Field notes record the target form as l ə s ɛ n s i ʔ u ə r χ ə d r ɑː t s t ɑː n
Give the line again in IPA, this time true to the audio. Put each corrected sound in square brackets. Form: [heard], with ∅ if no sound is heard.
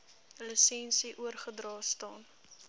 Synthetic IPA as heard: l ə s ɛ n s i ʔ u ə r χ ə d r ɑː [∅] s t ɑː n